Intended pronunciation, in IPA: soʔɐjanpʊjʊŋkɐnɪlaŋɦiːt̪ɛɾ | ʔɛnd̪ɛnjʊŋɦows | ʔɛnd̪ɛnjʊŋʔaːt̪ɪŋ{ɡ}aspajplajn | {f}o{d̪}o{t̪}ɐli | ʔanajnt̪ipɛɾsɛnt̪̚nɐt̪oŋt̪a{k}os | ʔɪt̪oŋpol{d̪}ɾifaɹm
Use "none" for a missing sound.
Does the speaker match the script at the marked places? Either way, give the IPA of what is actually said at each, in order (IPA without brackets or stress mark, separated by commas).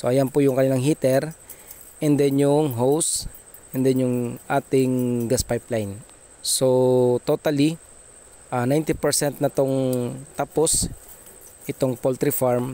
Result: ɡ, s, t̪, t̪, p, t̪